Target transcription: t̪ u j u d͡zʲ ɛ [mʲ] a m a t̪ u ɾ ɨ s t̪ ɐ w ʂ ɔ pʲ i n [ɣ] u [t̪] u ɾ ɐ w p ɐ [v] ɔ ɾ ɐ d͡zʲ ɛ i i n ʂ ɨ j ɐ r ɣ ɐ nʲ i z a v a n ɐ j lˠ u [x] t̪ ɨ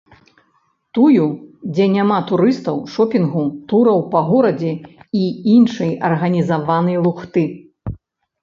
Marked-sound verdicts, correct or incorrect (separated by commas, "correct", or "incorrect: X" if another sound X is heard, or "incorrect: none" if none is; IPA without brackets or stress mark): incorrect: nʲ, correct, correct, incorrect: ɣ, correct